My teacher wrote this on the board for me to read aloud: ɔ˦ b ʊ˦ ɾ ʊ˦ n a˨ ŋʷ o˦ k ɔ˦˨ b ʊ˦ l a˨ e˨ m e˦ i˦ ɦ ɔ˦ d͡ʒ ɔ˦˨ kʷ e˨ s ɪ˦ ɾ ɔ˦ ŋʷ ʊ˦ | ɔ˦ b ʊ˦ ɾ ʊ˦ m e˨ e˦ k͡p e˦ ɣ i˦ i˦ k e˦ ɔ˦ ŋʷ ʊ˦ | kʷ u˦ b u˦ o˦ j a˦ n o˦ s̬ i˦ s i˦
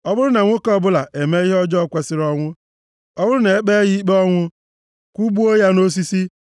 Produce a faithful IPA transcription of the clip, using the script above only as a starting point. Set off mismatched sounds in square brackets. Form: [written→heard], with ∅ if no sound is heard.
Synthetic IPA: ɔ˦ b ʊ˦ ɾ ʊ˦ n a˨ ŋʷ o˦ k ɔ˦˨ b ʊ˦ l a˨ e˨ m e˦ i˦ ɦ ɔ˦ d͡ʒ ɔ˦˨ kʷ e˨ s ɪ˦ ɾ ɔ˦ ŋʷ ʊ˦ | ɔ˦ b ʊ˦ ɾ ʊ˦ [m→n] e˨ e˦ k͡p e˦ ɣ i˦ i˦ [k→k͡p] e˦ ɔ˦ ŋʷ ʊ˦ | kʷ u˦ b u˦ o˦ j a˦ n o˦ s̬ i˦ s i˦